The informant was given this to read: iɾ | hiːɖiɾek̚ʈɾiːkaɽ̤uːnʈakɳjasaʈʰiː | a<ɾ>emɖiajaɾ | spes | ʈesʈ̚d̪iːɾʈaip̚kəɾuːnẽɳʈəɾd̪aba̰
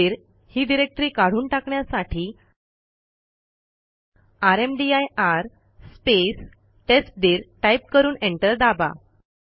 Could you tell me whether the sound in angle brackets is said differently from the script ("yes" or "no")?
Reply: no